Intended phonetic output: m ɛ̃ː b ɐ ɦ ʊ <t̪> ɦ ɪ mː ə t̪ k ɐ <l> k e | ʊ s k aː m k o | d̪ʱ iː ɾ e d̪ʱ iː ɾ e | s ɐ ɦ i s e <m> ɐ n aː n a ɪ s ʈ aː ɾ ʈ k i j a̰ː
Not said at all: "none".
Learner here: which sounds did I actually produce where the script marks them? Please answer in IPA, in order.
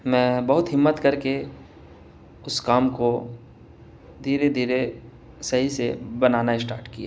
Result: t̪, ɾ, b

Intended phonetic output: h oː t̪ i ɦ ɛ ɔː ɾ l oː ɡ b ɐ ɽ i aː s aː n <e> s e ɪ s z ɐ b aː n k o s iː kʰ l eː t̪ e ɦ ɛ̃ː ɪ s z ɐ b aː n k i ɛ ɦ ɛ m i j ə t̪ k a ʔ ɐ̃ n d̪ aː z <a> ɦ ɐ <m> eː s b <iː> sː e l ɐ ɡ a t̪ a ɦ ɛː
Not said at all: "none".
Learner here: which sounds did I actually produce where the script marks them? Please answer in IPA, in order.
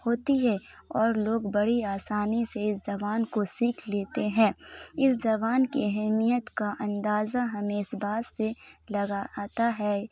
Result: i, a, m, aː

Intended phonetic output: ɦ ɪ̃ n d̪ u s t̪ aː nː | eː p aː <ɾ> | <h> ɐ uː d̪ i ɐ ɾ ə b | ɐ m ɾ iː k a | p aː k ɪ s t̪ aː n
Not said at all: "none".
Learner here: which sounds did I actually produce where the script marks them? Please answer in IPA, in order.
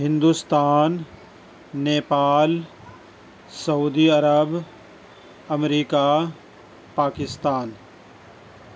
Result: l, s

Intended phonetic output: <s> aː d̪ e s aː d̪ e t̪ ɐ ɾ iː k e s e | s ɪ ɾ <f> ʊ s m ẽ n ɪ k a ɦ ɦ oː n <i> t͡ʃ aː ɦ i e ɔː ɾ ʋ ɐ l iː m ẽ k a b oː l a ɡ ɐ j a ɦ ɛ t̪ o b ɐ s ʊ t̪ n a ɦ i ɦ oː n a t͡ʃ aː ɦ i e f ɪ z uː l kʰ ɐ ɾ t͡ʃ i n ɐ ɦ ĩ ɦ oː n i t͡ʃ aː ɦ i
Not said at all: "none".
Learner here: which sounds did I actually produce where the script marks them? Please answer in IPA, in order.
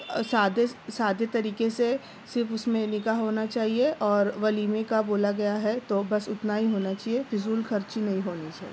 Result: s, f, a

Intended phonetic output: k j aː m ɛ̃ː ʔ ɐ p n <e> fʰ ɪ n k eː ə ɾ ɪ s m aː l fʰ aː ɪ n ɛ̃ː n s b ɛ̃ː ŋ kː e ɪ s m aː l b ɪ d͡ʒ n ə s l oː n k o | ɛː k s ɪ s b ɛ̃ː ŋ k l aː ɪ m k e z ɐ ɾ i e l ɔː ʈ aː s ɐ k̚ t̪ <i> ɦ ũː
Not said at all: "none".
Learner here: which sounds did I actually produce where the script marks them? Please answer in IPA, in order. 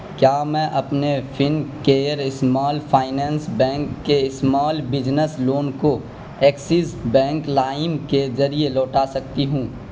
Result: e, i

